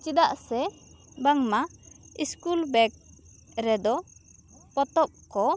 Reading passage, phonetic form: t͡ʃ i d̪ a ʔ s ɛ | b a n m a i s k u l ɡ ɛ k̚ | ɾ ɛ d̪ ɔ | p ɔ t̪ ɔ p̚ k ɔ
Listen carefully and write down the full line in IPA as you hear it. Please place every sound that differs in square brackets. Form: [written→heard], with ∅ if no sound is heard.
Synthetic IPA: t͡ʃ i d̪ a ʔ s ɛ | b a [n→ŋ] m a i s k u l [ɡ→b] ɛ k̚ | ɾ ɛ d̪ ɔ | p ɔ t̪ ɔ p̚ k ɔ